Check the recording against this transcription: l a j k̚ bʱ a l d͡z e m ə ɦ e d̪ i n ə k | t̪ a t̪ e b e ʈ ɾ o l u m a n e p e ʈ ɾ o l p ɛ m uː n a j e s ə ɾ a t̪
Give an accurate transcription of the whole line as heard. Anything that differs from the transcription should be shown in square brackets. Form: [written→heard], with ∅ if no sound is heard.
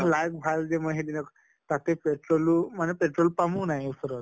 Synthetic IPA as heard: l a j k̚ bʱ a l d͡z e m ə ɦ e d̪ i n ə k | t̪ a t̪ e [b→p] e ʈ ɾ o l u m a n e p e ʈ ɾ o l p [ɛ→a] m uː n a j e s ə ɾ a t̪